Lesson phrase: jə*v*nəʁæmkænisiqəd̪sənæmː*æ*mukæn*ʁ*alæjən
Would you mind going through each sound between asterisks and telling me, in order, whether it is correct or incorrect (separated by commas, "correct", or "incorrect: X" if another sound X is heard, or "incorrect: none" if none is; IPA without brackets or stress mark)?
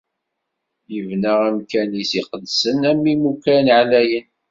correct, incorrect: i, incorrect: ʕ